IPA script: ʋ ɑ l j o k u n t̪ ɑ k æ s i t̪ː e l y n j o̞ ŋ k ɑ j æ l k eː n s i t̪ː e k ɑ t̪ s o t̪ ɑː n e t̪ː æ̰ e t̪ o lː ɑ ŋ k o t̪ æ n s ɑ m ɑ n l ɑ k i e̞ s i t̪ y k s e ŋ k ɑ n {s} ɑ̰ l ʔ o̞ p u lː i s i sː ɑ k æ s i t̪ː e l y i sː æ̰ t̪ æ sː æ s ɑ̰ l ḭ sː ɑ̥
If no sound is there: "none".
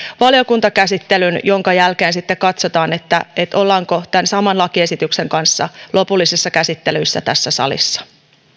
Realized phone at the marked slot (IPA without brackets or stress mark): sː